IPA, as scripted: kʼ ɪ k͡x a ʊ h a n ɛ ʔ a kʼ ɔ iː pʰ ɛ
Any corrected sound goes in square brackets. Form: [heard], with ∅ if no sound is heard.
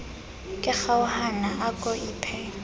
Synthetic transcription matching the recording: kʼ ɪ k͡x a ʊ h a n [a] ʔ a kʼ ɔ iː pʰ ɛ